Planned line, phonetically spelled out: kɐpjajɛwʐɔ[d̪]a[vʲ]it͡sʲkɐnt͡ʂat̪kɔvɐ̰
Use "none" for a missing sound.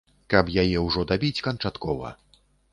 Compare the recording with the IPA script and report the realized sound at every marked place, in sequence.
d̪, bʲ

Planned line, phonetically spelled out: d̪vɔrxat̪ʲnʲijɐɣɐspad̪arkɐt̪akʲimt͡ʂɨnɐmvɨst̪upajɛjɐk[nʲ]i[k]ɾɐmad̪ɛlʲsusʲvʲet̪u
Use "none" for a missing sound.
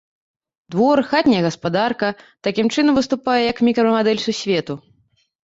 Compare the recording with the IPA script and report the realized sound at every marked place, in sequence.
mʲ, k

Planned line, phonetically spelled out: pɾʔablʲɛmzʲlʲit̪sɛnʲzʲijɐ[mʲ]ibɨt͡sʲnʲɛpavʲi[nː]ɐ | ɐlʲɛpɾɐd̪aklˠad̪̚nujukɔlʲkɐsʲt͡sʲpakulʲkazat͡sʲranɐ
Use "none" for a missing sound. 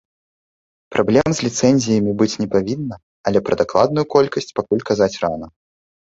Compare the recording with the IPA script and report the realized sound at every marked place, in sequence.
mʲ, nː

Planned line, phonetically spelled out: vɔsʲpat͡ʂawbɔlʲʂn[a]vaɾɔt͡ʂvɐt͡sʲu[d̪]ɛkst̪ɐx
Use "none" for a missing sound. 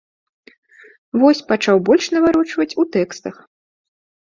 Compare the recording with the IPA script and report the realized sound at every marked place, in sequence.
ɐ, t̪

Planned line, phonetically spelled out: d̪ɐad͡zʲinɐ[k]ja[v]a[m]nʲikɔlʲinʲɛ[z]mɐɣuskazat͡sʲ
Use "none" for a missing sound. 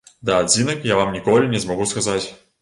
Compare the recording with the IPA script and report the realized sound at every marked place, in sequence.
k, v, m, z

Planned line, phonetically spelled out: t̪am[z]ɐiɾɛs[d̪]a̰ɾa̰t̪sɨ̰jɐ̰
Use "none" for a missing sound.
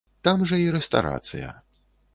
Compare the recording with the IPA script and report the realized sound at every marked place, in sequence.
ʐ, t̪

